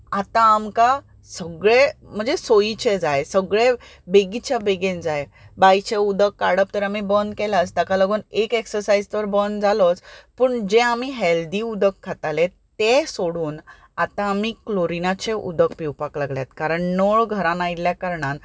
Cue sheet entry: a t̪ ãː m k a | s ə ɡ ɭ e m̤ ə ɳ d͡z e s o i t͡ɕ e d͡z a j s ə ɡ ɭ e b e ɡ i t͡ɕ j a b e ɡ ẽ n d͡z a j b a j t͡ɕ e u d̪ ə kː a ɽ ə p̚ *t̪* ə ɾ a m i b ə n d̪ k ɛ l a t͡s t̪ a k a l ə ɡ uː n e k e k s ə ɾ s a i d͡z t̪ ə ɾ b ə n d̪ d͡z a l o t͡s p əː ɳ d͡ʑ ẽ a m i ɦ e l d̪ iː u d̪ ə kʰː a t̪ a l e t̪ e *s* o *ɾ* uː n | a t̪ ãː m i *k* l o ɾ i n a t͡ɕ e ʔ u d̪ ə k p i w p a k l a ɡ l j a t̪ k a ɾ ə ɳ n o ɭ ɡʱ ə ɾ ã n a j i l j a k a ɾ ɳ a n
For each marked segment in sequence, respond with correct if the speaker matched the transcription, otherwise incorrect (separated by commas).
correct, correct, incorrect, correct